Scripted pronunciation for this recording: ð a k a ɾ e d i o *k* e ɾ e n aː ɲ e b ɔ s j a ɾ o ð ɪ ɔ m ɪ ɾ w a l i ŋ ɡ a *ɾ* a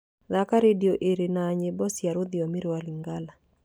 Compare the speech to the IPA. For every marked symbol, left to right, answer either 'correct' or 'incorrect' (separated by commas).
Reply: incorrect, incorrect